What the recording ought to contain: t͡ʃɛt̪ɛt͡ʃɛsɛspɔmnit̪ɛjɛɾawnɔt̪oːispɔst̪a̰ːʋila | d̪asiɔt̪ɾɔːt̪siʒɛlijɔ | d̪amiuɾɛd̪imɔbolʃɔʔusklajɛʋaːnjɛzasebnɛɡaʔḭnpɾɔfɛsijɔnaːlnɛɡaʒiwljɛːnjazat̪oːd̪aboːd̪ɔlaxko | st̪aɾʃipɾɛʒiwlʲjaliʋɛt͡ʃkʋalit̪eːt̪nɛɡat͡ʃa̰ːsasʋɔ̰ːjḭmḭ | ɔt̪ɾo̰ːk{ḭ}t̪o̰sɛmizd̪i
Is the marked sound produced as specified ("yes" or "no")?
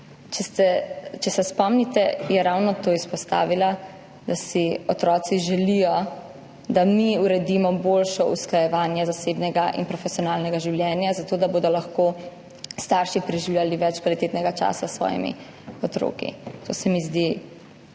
yes